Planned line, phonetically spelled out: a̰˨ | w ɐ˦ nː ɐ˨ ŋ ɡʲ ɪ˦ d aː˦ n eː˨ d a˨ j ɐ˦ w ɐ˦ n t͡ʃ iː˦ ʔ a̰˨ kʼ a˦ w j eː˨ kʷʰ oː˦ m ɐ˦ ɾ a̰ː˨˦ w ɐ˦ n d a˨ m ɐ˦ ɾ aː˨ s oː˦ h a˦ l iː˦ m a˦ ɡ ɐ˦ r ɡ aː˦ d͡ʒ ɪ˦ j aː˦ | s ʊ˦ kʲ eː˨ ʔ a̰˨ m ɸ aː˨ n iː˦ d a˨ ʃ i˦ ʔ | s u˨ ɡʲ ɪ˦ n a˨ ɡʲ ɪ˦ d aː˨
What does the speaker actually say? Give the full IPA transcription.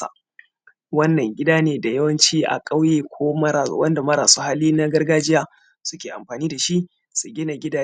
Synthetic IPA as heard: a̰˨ | w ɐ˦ nː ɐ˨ ŋ ɡʲ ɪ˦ d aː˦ n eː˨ d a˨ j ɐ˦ w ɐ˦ n t͡ʃ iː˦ ʔ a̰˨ kʼ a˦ w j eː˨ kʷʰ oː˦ m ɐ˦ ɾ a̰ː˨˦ w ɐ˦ n d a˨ m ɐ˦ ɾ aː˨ s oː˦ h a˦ l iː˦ n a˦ ɡ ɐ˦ r ɡ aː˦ d͡ʒ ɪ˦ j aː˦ | s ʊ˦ kʲ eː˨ ʔ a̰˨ m ɸ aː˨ n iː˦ d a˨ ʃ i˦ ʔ | s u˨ ɡʲ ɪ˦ n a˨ ɡʲ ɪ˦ d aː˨